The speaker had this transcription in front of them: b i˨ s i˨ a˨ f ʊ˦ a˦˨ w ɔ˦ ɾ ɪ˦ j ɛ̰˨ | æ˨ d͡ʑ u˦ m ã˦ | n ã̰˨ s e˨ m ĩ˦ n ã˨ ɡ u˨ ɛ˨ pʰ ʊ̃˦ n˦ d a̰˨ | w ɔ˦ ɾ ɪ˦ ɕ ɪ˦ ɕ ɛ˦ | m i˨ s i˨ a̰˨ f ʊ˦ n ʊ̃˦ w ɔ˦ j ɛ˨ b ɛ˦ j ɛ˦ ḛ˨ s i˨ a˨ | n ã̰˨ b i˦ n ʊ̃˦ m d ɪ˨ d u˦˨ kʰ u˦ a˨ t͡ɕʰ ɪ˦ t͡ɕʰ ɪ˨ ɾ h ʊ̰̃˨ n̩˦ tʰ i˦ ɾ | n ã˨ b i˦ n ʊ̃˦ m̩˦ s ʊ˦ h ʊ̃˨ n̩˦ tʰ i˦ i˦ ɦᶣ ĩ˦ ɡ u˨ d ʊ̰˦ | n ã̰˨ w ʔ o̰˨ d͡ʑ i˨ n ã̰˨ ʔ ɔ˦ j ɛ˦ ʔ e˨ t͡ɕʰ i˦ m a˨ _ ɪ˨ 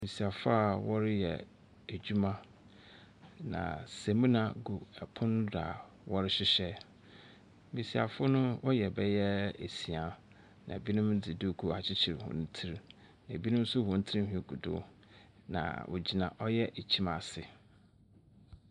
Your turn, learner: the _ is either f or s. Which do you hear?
s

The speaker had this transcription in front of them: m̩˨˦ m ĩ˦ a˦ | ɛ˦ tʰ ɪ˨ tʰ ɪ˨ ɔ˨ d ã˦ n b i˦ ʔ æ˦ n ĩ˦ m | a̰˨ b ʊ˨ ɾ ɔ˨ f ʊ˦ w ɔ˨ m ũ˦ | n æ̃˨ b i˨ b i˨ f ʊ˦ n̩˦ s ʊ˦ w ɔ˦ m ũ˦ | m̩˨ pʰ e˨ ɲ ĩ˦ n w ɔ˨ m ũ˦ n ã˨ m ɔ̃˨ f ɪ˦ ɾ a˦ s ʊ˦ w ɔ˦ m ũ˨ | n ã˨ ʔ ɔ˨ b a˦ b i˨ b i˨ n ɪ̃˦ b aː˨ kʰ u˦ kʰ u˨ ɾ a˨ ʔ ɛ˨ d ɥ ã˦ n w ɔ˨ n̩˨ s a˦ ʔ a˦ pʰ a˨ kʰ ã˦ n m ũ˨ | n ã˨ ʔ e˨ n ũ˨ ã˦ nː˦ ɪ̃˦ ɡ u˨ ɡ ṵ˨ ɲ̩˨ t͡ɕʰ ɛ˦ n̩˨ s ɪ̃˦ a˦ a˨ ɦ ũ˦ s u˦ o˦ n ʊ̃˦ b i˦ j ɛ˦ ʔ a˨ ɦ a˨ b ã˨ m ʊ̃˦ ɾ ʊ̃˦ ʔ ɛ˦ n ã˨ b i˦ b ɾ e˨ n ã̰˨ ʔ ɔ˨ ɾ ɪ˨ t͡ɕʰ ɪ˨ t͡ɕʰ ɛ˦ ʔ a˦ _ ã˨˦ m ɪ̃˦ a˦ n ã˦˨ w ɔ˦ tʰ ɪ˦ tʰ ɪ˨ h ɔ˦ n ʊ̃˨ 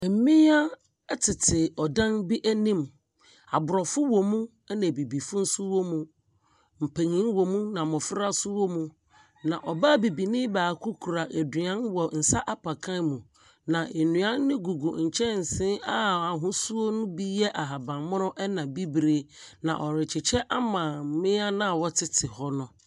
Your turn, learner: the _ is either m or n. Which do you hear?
m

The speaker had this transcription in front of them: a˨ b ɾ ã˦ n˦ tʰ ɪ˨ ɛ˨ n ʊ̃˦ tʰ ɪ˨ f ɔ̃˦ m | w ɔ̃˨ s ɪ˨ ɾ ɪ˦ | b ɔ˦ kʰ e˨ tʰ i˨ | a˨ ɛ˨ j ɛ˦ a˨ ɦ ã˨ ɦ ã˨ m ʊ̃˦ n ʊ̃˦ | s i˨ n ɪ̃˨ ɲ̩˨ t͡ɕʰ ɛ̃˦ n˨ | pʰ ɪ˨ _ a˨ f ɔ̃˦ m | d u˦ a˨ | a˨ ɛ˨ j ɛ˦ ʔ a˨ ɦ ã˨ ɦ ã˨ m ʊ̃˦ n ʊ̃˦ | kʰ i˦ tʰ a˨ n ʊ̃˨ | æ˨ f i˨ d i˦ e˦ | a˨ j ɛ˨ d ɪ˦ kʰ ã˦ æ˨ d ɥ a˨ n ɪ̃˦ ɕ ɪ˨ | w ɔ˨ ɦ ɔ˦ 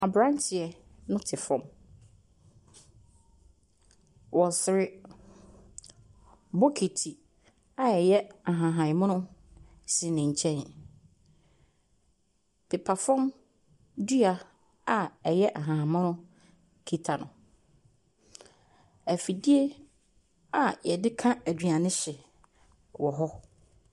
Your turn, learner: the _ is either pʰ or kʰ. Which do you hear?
pʰ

